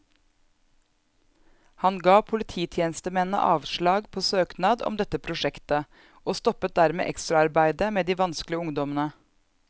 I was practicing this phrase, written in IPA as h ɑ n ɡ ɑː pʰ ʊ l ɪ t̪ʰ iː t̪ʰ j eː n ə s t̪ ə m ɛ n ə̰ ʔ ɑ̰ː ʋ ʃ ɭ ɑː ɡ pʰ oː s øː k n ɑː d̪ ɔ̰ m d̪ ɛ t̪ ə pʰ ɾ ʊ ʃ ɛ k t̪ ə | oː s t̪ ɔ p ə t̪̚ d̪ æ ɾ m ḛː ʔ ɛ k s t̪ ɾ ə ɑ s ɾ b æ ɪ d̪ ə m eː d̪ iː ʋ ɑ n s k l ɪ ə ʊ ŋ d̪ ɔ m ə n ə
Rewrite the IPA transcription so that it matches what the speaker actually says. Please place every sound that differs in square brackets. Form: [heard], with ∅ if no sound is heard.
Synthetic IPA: h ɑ n ɡ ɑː pʰ ʊ l ɪ t̪ʰ iː t̪ʰ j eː n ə s t̪ ə m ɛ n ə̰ ʔ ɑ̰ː ʋ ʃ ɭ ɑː ɡ pʰ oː s øː k n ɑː d̪ ɔ̰ m d̪ ɛ t̪ ə pʰ ɾ ʊ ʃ ɛ k t̪ ə | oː s t̪ ɔ p ə t̪̚ d̪ æ ɾ m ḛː ʔ ɛ k s t̪ ɾ [ɑ] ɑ [∅] ɾ b æ ɪ d̪ ə m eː d̪ iː ʋ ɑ n s k l ɪ ə ʊ ŋ d̪ ɔ m ə n ə